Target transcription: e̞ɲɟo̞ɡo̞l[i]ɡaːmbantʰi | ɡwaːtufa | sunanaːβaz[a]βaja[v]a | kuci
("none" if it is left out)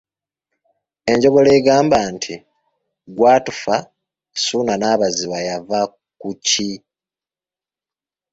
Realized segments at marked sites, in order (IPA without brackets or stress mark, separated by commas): e, i, v